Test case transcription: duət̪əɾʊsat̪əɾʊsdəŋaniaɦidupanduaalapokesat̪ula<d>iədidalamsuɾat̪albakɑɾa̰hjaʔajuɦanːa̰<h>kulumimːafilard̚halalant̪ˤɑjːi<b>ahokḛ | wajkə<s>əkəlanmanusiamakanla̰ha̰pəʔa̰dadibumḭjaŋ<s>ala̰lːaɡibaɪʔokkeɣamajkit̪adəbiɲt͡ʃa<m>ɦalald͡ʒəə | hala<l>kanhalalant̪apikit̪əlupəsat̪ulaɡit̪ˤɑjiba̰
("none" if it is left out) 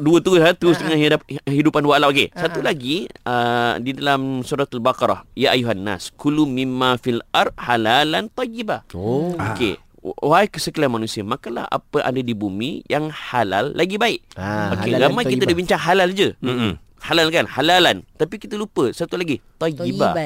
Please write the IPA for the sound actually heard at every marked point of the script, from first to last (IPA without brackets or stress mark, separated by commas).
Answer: ɡ, s, b, s, h, ŋ, l